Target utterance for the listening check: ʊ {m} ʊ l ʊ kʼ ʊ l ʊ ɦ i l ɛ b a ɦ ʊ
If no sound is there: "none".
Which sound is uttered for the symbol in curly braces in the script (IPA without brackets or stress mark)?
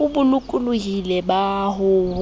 b